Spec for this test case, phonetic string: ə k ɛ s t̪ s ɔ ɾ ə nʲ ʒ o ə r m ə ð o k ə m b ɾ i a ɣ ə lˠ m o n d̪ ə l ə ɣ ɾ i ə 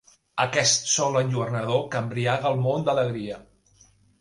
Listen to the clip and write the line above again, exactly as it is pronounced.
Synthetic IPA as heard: ə k ɛ s t̪ s ɔ l ə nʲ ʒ u ə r n ə ð o k ə m b ɾ i a ɣ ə lˠ m o n d̪ ə l ə ɣ ɾ i ə